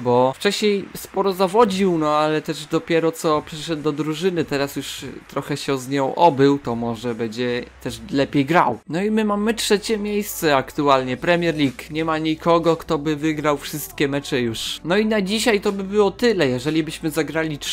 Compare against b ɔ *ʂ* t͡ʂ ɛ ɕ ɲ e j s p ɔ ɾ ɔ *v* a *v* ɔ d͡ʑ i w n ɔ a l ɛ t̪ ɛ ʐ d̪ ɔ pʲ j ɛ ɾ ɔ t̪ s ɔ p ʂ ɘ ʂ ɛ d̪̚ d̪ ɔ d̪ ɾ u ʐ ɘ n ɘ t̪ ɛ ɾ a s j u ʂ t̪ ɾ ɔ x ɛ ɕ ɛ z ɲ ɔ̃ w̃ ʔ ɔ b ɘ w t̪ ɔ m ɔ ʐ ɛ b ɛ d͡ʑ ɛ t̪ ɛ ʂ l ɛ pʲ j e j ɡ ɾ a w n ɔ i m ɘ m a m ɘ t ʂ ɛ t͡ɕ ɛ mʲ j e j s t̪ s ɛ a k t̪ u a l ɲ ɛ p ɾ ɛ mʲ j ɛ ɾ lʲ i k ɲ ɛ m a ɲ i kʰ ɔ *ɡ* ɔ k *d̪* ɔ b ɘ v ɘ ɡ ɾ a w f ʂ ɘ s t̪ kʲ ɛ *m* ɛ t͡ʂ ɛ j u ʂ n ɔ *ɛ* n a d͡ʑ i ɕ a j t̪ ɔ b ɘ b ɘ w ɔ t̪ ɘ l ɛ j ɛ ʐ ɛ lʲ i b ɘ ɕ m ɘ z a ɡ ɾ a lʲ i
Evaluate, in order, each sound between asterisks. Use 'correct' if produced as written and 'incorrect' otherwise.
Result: incorrect, incorrect, correct, correct, incorrect, correct, incorrect

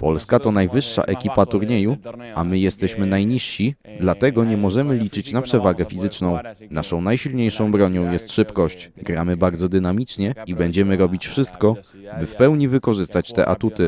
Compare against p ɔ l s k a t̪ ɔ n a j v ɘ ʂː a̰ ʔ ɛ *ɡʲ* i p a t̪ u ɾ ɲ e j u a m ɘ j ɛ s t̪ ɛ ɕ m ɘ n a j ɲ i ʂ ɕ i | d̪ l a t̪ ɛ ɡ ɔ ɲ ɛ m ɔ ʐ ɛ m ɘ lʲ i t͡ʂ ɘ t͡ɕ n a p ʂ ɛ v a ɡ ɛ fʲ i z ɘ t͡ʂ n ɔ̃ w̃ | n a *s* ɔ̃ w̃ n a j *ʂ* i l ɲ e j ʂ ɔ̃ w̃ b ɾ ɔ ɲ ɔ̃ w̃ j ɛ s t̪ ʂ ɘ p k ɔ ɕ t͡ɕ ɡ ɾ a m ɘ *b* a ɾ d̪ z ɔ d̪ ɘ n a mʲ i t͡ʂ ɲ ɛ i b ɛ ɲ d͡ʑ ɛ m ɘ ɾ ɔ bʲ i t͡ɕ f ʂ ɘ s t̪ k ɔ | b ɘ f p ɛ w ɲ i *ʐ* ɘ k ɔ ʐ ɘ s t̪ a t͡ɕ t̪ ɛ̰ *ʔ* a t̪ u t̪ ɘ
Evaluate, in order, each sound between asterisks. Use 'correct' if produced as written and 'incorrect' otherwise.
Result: incorrect, incorrect, incorrect, correct, incorrect, correct

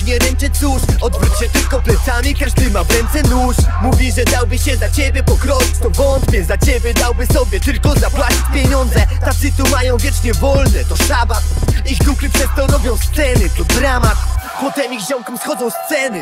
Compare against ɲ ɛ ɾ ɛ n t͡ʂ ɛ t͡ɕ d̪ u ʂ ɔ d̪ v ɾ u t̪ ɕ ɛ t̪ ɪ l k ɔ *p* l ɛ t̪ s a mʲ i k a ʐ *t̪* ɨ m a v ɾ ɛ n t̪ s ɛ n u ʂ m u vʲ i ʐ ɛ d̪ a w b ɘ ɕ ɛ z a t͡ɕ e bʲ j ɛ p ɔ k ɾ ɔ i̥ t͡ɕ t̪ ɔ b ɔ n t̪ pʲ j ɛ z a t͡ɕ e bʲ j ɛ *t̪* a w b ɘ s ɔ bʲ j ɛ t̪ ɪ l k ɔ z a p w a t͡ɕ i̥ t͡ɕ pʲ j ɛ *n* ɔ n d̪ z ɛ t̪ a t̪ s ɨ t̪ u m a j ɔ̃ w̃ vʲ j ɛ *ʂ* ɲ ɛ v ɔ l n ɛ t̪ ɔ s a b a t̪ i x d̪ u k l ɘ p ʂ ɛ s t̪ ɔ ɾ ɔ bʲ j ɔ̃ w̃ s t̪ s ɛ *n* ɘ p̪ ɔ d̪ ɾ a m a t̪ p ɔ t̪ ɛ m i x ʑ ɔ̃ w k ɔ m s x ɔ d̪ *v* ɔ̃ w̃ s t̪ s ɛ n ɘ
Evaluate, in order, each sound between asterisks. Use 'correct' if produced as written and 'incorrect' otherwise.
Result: correct, incorrect, incorrect, incorrect, incorrect, correct, incorrect

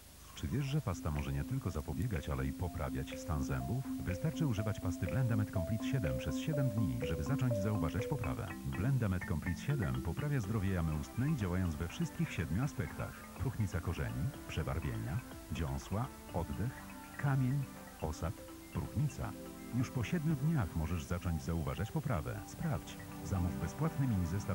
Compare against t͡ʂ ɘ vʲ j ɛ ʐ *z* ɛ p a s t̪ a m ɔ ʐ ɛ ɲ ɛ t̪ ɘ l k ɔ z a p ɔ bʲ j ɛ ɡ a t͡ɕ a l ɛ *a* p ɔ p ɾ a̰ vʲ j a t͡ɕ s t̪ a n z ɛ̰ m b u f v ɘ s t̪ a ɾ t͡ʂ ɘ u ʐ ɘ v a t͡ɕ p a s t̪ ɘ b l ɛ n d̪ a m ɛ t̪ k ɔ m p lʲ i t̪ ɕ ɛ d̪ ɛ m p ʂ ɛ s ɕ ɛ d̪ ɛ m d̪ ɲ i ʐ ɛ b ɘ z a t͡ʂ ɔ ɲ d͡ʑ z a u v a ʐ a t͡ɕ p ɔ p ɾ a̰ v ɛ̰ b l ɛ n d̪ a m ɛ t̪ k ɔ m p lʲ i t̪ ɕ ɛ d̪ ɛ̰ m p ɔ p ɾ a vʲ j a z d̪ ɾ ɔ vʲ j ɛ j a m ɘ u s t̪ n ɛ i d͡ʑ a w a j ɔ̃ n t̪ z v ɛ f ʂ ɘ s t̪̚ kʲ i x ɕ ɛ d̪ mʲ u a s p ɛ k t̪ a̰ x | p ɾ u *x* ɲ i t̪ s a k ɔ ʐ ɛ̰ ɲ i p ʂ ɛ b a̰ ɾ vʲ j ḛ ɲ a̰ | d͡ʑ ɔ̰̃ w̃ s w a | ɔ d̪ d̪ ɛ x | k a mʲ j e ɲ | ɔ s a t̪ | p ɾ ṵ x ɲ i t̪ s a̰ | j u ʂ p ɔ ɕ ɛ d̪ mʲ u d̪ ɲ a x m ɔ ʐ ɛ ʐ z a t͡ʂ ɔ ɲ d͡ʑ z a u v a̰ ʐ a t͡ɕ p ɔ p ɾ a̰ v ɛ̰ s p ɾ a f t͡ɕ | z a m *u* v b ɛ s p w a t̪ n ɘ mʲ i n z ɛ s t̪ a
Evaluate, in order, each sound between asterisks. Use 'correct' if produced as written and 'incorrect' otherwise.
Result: incorrect, incorrect, correct, correct

